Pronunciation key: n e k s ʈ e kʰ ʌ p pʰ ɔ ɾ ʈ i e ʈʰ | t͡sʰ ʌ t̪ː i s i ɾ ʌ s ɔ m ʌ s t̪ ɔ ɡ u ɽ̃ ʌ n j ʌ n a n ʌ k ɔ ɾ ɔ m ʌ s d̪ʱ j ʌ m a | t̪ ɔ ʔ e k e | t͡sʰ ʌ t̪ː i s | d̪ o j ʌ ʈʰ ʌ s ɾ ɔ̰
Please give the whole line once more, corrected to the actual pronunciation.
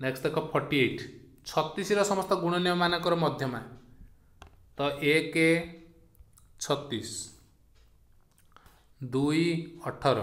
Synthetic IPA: n e k s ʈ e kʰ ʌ p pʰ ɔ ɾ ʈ i e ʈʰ | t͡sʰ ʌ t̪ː i s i ɾ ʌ s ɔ m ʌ s t̪ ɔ ɡ u ɽ̃ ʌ n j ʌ m a n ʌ k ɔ ɾ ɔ m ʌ d̪ʱ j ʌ m a | t̪ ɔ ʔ e k e | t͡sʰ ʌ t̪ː i s | d̪ u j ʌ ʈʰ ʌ ɾ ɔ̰

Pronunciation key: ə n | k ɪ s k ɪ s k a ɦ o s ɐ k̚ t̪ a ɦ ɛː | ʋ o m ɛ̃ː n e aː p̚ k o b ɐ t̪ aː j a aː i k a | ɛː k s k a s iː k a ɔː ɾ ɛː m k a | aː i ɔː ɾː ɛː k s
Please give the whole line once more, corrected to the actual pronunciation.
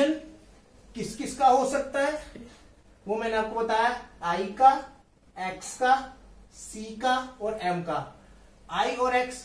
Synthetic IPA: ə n | k ɪ s k ɪ s k a ɦ o s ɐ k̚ t̪ a ɦ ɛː | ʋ o m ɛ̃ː n e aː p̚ k o b ɐ t̪ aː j a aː i k a | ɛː k s k a s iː k a ɔː ɾ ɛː m k a | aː i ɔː ɾ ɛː k s

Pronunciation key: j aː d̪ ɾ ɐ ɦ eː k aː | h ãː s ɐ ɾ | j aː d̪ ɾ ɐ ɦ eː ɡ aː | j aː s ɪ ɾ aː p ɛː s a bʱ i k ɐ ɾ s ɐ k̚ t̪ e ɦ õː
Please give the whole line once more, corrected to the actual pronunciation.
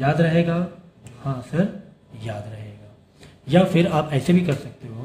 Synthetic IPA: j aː d̪ ɾ ɐ ɦ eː ɡ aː | h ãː s ɐ ɾ | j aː d̪ ɾ ɐ ɦ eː ɡ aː | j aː f ɪ ɾ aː p ɛː s e bʱ i k ɐ ɾ s ɐ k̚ t̪ e ɦ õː

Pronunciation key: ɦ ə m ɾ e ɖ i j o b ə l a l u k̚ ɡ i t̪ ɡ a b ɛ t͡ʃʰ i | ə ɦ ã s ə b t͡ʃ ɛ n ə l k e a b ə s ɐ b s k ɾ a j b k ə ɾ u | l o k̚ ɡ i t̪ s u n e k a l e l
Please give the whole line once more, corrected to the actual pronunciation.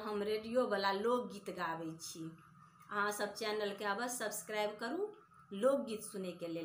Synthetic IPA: ɦ ə m ɾ e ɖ i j o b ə l a l o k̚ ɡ i t̪ ɡ a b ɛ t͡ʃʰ i | ə ɦ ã s ə b t͡ʃ ɛ n ə l k e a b ə s ə b s k ɾ a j b k ə ɾ u | l o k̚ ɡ i t̪ s u n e k e l e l

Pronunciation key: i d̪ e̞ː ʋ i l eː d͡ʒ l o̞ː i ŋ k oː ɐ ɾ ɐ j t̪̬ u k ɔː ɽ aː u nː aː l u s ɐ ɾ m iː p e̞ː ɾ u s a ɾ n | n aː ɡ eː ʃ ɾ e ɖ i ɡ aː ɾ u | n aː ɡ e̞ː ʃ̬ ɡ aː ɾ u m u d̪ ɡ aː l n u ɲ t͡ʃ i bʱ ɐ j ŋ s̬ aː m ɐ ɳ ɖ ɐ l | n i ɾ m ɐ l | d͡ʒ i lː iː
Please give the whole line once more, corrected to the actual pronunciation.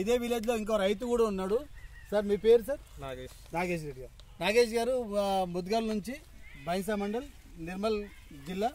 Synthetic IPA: i d̪ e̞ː ʋ i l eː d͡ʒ l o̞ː i ŋ k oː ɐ ɾ ɐ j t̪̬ u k uː ɽ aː u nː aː ɽ u s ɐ ɾ m iː p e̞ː ɾ u s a ɾ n | n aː ɡ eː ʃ ɾ e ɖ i ɡ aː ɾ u | n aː ɡ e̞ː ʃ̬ ɡ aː ɾ u m u d̪ ɡ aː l n u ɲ t͡ʃ i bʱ ɐ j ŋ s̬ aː m ɐ ɳ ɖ ɐ l | n i ɾ m ɐ l | d͡ʒ i lː aː

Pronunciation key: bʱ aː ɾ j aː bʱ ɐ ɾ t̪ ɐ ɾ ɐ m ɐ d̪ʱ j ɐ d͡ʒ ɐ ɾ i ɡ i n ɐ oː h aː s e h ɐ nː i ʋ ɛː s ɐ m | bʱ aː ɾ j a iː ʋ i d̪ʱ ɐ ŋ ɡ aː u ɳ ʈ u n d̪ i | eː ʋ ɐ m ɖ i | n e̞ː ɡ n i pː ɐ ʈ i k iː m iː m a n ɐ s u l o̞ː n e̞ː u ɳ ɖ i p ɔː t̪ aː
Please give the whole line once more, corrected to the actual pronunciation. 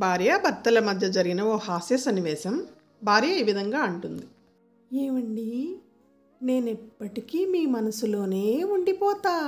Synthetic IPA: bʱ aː ɾ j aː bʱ ɐ ɾ t̪ ɐ l ɐ m ɐ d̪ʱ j ɐ d͡ʒ ɐ ɾ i ɡ i n ɐ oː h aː s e s ɐ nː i ʋ ɛː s ɐ m | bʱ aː ɾ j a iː ʋ i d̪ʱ ɐ ŋ ɡ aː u ɳ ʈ u n d̪ i | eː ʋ ɐ ɳ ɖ i | n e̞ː n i pː ɐ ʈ i k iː m iː m ɐ n ɐ s u l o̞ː n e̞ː u ɳ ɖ i p ɔː t̪ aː

